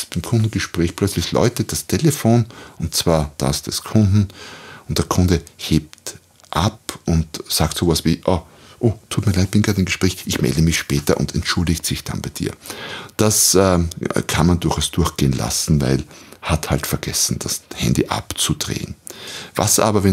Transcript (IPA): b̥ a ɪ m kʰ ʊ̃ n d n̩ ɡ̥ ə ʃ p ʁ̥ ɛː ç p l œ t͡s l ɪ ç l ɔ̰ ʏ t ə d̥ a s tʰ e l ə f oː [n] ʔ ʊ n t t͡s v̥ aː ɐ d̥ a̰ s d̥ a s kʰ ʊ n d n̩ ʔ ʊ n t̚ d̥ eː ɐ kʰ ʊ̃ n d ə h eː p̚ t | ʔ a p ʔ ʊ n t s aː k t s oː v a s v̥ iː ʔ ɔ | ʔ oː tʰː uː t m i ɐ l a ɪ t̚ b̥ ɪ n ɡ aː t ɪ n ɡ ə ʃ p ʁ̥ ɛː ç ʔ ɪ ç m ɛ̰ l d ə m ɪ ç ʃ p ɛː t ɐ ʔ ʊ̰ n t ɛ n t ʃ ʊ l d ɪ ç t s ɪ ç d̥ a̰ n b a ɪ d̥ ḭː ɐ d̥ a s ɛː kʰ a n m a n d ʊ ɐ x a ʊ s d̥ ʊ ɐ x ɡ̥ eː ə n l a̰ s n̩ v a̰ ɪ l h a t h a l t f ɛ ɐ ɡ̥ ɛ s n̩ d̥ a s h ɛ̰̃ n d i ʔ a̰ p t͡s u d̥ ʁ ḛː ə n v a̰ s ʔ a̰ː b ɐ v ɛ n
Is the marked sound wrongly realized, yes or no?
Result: no